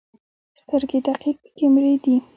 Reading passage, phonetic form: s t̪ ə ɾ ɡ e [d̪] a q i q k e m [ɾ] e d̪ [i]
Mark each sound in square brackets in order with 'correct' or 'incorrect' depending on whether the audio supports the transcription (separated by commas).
correct, correct, correct